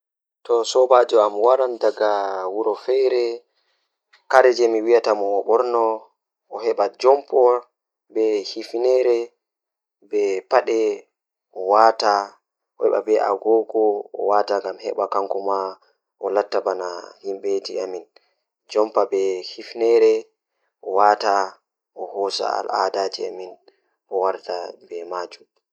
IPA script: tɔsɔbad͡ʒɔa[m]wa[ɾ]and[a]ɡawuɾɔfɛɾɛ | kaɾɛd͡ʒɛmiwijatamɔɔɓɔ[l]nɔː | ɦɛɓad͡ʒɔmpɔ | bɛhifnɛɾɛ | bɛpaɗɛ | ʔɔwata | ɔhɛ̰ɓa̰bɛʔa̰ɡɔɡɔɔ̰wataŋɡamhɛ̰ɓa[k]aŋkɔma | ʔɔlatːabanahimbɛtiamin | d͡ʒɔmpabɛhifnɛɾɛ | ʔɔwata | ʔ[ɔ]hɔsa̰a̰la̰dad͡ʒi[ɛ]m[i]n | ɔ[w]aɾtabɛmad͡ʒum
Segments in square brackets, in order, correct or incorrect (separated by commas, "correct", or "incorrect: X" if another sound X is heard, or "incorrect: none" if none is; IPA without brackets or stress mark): correct, correct, correct, incorrect: ɾ, correct, correct, incorrect: a, correct, correct